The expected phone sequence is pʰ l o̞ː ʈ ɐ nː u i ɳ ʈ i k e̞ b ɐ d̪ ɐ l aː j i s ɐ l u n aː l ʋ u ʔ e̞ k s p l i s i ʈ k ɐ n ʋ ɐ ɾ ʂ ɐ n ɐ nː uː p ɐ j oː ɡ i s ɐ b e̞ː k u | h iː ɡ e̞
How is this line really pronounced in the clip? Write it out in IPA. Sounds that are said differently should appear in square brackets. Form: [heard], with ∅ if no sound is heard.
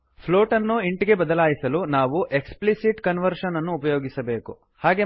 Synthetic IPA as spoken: pʰ l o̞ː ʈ ɐ nː u i ɳ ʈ i [ɡ] e̞ b ɐ d̪ ɐ l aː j i s ɐ l u n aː [∅] ʋ u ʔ e̞ k s p l i s i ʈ k ɐ n ʋ ɐ ɾ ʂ ɐ n ɐ nː uː p ɐ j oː ɡ i s ɐ b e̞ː k u | h [aː] ɡ e̞